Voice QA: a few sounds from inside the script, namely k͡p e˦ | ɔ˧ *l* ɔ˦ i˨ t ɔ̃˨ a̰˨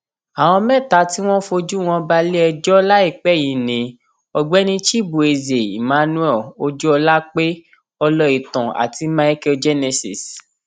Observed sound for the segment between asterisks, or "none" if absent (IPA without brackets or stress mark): l